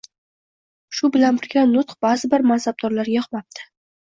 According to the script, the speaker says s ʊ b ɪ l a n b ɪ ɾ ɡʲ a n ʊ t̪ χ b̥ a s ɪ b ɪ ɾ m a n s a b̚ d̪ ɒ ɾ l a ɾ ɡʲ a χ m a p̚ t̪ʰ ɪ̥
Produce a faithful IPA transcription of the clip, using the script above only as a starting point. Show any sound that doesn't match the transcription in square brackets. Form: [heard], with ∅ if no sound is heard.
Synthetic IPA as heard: [ʃ] ʊ b ɪ l a n b ɪ ɾ ɡʲ a n ʊ t̪ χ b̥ a [z] ɪ b ɪ ɾ m a n s a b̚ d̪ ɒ ɾ l a ɾ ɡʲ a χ m a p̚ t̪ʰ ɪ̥